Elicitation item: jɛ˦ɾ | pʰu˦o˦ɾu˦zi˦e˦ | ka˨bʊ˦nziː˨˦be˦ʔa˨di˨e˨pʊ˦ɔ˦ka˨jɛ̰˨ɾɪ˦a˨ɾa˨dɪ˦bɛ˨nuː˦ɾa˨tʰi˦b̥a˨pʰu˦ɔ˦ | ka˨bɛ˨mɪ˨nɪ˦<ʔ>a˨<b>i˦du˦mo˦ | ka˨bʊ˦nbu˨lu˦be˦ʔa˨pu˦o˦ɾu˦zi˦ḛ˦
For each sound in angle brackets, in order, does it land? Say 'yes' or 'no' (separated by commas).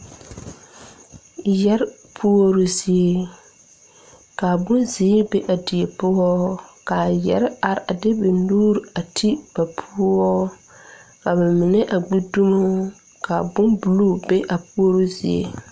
yes, no